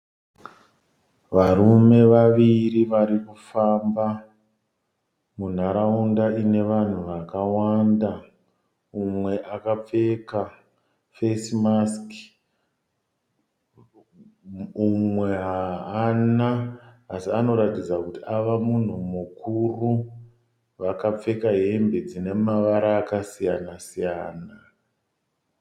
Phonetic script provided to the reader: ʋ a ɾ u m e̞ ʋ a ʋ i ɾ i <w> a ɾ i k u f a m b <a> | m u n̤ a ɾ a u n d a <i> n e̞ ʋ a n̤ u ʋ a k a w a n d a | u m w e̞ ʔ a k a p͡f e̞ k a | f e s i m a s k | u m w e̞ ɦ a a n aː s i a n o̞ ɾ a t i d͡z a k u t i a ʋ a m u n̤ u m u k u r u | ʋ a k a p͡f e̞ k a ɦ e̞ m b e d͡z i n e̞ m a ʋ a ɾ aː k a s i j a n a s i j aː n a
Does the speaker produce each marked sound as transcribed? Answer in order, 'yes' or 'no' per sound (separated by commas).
no, yes, yes